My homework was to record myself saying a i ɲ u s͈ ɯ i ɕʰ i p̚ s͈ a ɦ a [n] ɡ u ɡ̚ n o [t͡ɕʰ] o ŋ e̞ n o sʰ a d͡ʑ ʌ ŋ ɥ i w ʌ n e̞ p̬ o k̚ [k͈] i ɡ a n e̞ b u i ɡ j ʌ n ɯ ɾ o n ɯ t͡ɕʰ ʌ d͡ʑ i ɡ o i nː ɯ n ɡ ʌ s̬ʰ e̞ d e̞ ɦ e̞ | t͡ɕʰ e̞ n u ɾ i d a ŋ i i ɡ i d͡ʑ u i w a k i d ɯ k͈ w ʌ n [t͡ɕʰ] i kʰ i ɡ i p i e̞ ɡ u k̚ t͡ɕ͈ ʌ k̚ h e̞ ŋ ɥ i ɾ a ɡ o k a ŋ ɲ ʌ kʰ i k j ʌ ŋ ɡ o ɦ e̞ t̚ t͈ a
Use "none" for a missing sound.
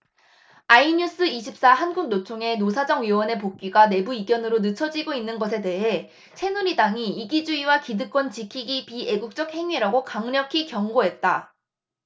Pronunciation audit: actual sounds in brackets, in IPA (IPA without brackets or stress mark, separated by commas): n, t͡ɕʰ, k͈, t͡ɕ